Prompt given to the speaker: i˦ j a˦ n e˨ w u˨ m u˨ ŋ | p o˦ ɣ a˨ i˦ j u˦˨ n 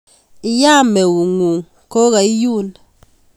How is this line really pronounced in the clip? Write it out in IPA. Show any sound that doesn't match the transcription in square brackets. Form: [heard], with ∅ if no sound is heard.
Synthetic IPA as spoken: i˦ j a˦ [m] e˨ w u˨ [ŋ] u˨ ŋ | [k] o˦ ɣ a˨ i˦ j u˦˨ n